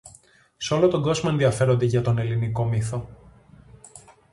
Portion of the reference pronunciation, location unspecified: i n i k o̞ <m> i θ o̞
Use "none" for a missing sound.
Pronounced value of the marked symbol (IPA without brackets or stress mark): m